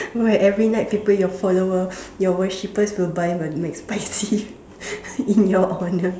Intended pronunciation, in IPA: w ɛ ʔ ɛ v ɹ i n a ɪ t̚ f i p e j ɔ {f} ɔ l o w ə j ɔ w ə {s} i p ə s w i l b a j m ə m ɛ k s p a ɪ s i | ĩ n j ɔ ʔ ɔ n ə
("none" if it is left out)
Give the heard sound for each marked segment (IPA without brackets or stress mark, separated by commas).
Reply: f, ʃ